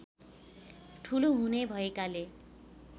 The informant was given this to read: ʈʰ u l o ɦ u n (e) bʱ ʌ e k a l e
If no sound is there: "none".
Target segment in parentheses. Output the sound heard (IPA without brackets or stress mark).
e